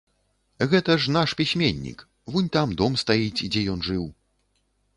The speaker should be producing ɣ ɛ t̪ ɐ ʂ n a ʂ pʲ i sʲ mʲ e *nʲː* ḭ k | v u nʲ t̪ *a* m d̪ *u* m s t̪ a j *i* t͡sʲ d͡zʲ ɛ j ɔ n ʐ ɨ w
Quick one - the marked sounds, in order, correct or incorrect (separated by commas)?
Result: correct, correct, incorrect, correct